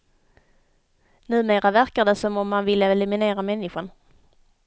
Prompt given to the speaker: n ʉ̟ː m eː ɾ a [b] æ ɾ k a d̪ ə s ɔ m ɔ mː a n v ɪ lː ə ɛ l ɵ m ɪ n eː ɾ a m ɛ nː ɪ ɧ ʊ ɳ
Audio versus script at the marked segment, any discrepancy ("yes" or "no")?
yes